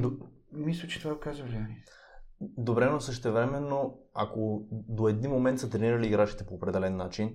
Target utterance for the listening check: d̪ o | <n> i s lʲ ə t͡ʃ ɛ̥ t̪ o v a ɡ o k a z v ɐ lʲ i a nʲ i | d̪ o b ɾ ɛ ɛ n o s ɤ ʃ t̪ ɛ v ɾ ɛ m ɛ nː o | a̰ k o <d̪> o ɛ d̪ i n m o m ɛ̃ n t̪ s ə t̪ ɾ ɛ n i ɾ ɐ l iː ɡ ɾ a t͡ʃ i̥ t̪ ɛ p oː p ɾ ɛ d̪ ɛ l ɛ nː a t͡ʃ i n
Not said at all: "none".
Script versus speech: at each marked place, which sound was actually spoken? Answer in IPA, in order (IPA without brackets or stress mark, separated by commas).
m, d̪